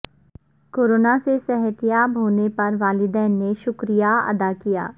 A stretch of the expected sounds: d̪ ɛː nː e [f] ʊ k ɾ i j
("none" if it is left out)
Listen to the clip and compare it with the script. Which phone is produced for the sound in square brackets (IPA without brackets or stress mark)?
ʃ